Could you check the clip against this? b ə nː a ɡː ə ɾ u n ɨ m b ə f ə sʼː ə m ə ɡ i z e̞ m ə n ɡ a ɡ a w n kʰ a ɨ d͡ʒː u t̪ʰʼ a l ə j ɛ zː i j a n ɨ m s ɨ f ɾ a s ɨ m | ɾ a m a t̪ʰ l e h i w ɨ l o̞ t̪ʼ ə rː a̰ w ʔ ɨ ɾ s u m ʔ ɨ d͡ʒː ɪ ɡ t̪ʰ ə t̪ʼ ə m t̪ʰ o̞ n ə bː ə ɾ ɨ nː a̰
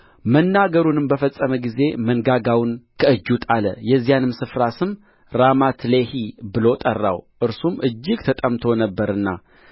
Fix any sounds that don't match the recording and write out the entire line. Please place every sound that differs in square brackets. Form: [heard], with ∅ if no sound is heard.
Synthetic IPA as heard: [m] ə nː a [ɡ] ə ɾ u n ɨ m b ə f ə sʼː ə m ə ɡ i z e̞ m ə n ɡ a ɡ a w n kʰ [ə] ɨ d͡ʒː u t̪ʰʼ a l ə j ɛ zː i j a n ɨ m s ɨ f ɾ a s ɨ m | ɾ a m a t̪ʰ l e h i [b] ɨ l o̞ t̪ʼ ə rː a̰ w ʔ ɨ ɾ s u m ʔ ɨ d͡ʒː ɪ ɡ t̪ʰ ə t̪ʼ ə m t̪ʰ o̞ n ə bː ə ɾ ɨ nː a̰